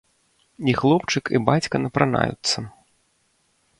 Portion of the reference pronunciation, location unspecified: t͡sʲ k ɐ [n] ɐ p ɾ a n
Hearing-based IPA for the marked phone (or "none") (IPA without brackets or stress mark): n